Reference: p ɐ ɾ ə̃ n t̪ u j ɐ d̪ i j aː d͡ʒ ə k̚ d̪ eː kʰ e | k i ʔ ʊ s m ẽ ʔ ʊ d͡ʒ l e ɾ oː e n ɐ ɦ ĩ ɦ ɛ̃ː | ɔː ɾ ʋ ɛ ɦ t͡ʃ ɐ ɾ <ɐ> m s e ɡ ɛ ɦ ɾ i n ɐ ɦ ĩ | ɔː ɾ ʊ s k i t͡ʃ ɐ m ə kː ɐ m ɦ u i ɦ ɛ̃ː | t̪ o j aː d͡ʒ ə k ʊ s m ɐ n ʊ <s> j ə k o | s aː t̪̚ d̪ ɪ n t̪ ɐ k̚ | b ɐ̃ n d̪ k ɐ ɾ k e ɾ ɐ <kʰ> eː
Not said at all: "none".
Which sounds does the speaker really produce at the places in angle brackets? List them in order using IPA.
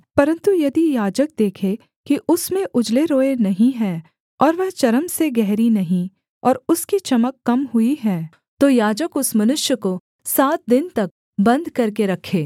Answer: ə, ʃ, kʰ

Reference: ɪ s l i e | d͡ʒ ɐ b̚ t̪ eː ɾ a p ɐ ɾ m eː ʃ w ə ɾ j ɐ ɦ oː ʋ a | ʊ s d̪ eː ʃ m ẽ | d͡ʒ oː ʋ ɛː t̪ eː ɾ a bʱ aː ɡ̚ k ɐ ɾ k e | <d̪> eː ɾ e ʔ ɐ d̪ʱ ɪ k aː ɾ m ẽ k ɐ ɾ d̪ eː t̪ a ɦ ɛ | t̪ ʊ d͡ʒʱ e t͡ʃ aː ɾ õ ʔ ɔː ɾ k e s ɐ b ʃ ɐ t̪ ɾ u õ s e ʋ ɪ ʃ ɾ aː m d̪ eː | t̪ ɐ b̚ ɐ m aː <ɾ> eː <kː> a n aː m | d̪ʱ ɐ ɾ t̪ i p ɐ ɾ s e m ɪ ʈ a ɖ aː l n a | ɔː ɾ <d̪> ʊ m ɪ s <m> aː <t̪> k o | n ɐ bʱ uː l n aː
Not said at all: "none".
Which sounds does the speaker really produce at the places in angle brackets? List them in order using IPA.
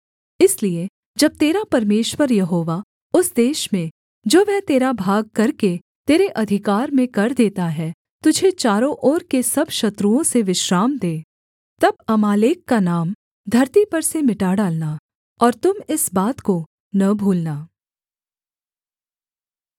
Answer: t̪, l, kː, t̪, b, t̪

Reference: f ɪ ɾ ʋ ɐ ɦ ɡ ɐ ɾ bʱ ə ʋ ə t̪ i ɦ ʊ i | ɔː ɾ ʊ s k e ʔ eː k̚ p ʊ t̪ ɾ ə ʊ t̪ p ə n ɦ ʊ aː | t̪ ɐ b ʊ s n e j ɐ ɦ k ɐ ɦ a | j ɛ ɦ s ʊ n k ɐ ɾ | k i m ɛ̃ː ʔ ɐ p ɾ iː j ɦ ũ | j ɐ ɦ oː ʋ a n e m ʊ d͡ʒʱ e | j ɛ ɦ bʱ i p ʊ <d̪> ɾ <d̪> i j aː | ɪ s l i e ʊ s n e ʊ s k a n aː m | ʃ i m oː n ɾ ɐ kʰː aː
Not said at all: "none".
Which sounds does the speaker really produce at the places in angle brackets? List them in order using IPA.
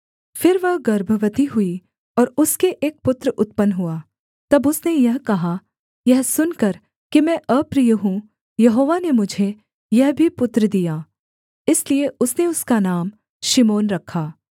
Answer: t̪, d̪

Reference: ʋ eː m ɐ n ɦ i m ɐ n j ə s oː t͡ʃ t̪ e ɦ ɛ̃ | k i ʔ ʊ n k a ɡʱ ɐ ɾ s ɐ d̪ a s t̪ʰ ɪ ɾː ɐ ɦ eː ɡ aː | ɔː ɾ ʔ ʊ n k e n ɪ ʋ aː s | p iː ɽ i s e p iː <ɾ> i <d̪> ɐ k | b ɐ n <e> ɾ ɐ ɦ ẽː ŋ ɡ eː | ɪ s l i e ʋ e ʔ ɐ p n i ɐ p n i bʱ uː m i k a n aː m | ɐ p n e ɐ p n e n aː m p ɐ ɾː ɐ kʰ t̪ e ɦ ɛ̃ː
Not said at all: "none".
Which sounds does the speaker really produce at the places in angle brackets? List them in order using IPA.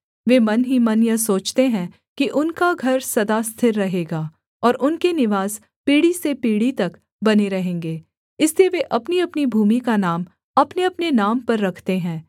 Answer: ɽ, t̪, e

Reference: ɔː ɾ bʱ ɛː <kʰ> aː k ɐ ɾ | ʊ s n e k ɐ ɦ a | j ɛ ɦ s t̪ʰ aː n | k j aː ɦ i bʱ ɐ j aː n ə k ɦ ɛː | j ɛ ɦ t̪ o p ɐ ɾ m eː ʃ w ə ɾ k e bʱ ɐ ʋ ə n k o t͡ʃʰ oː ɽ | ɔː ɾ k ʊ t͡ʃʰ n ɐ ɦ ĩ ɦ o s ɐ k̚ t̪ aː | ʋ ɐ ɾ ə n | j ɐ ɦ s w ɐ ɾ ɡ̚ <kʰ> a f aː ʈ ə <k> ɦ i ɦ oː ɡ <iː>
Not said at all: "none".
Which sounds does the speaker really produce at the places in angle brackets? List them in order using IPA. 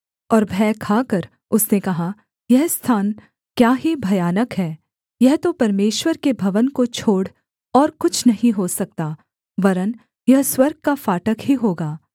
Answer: kʰ, k, k, aː

